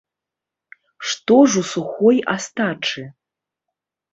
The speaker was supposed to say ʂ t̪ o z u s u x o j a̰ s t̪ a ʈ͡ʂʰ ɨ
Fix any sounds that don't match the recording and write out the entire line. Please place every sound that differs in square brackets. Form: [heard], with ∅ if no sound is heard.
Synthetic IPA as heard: ʂ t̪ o [ʐ] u s u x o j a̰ s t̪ a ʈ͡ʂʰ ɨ